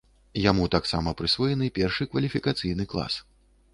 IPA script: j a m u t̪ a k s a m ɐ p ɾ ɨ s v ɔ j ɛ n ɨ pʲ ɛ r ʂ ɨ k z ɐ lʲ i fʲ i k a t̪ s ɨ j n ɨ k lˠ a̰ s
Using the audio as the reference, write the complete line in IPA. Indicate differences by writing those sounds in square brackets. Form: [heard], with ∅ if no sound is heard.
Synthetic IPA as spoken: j a m u t̪ a k s a m ɐ p ɾ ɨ s v ɔ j ɛ n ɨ pʲ ɛ r ʂ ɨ k [v] ɐ lʲ i fʲ i k a t̪ s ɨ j n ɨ k lˠ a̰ s

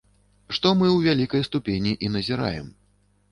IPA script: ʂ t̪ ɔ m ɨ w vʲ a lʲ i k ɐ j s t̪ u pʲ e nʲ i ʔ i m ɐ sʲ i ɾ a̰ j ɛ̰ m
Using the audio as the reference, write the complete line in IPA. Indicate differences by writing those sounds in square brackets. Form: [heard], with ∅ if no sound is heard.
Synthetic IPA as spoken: ʂ t̪ ɔ m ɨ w vʲ a lʲ i k ɐ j s t̪ u pʲ e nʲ i ʔ i [n] ɐ [zʲ] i ɾ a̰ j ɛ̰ m

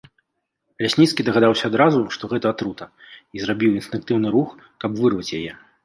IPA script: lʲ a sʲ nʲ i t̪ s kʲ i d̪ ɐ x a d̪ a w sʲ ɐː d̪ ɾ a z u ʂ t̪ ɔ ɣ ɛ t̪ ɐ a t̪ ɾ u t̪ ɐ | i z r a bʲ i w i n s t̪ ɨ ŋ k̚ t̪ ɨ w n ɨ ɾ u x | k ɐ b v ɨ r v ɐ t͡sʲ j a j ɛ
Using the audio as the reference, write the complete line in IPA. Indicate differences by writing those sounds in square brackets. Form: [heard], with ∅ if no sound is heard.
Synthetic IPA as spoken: lʲ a sʲ nʲ i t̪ s kʲ i d̪ ɐ [ɣ] a d̪ a w sʲ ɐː d̪ ɾ a z u ʂ t̪ ɔ ɣ ɛ t̪ ɐ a t̪ ɾ u t̪ ɐ | i z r a bʲ i w i n s t̪ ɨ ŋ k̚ t̪ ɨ w n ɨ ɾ u x | k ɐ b v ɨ r v ɐ t͡sʲ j a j ɛ

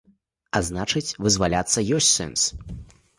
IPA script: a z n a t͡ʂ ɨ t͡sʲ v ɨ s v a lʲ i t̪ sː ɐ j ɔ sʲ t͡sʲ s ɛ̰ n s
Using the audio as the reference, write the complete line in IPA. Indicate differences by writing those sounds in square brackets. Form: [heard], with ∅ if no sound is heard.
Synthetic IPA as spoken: a z n a t͡ʂ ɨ t͡sʲ v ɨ [z] v a lʲ [a] t̪ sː ɐ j ɔ sʲ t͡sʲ s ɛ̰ n s

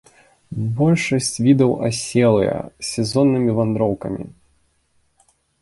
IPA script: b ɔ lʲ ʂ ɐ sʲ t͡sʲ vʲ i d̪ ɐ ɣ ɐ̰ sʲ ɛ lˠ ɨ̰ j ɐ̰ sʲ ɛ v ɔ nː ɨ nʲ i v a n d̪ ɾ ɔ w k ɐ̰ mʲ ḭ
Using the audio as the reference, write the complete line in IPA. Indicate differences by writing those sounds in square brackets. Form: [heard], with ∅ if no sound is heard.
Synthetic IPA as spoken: b ɔ lʲ ʂ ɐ sʲ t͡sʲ vʲ i d̪ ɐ [w] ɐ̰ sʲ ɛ lˠ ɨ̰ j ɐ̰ sʲ ɛ [z] ɔ nː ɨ [mʲ] i v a n d̪ ɾ ɔ w k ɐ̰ mʲ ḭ

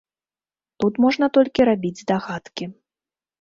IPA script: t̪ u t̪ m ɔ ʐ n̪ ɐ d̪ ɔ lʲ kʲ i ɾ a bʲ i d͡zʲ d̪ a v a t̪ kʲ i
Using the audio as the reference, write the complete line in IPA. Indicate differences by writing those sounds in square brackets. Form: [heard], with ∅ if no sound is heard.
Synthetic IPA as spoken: t̪ u t̪ m ɔ ʐ n̪ ɐ [t̪] ɔ lʲ kʲ i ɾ a bʲ i d͡zʲ d̪ a [ɣ] a t̪ kʲ i

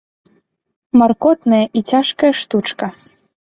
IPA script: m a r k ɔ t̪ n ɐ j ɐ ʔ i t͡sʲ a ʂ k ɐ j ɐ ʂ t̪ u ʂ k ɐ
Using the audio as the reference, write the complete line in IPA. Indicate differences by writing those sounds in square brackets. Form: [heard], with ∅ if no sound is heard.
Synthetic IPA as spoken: m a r k ɔ t̪ n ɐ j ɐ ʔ i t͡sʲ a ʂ k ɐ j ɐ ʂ t̪ u [t͡ʂ] k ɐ

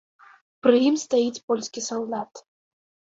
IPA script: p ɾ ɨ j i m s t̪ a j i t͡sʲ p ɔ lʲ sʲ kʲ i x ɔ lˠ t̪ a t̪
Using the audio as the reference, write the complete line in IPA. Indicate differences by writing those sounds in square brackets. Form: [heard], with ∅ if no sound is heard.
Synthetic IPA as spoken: p ɾ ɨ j i m s t̪ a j i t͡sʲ p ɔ lʲ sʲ kʲ i [s] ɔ lˠ [d̪] a t̪

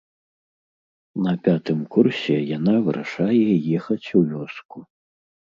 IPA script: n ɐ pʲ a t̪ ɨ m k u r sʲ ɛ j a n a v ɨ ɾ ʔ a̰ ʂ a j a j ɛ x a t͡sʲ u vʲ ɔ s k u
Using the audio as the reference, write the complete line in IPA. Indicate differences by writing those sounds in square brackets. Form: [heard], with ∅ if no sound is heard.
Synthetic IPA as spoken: n ɐ pʲ a t̪ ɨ m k u r sʲ ɛ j a n a v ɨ ɾ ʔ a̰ ʂ a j [ɛ] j ɛ x [ɐ] t͡sʲ u vʲ ɔ s k u

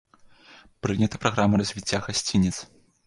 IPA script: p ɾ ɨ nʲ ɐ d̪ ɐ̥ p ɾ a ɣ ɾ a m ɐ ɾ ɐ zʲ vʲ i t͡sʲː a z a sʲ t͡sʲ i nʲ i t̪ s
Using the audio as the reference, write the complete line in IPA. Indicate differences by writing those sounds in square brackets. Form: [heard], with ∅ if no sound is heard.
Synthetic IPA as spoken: p ɾ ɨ nʲ ɐ [t̪] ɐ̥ p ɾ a ɣ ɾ a m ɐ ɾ ɐ zʲ vʲ i t͡sʲː a [ɣ] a sʲ t͡sʲ i nʲ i t̪ s

